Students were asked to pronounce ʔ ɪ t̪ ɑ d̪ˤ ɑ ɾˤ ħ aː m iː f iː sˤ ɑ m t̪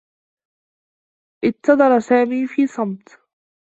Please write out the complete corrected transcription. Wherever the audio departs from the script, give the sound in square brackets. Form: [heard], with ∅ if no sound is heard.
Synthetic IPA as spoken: ʔ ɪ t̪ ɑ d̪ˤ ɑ ɾˤ [s] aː m iː f iː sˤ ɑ m t̪